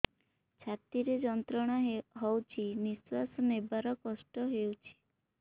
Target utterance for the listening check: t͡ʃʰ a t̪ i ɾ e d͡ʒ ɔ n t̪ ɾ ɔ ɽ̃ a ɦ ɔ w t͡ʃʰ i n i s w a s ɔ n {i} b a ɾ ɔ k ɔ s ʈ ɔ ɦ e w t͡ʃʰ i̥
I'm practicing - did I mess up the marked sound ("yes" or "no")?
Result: yes